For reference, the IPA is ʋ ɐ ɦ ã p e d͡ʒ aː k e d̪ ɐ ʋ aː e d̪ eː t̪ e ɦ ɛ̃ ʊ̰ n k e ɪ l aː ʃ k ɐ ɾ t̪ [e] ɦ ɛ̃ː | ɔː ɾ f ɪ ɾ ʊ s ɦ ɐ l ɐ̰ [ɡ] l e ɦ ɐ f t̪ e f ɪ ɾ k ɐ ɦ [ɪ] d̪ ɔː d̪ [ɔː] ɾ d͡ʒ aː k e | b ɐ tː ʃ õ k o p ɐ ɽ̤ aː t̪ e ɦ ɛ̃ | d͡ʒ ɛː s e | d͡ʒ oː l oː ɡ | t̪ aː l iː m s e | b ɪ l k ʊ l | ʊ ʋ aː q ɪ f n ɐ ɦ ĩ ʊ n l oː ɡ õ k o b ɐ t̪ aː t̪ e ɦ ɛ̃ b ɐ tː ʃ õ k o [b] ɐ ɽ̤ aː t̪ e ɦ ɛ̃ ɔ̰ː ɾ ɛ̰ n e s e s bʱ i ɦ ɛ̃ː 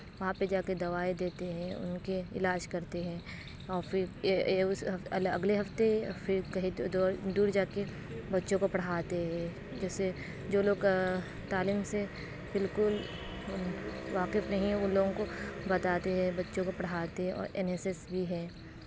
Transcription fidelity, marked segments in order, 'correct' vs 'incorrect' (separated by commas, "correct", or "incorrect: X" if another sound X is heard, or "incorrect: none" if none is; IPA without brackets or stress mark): correct, correct, incorrect: i, incorrect: uː, incorrect: p